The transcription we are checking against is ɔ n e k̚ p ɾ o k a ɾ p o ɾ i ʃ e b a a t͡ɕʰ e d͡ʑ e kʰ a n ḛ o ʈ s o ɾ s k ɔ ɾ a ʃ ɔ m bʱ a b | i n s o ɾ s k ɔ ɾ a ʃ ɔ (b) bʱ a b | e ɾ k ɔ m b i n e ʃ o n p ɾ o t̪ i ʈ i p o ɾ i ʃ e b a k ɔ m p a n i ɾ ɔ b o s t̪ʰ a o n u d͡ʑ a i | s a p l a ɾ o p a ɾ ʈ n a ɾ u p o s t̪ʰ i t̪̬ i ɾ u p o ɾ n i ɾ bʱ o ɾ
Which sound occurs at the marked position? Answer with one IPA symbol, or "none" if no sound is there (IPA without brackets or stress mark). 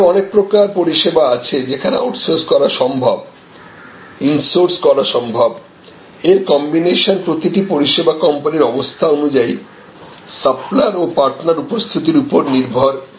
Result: m